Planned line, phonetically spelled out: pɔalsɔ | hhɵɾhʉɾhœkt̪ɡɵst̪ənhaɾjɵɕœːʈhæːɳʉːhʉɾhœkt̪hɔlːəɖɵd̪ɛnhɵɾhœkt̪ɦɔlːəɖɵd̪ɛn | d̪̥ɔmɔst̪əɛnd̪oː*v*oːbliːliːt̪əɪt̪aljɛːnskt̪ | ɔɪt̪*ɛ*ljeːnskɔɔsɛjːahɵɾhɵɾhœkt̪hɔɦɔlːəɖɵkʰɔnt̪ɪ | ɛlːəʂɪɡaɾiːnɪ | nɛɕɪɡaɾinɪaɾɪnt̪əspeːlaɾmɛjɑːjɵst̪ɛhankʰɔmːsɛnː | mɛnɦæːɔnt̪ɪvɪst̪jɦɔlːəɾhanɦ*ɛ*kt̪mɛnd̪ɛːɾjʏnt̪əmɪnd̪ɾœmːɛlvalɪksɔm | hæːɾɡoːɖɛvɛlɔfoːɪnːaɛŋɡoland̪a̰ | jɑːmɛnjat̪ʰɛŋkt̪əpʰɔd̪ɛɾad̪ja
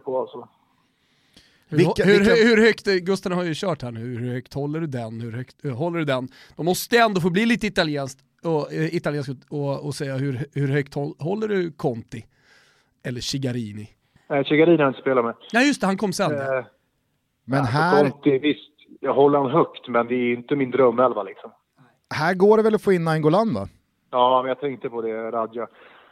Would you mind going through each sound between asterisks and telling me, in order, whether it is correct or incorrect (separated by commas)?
incorrect, incorrect, incorrect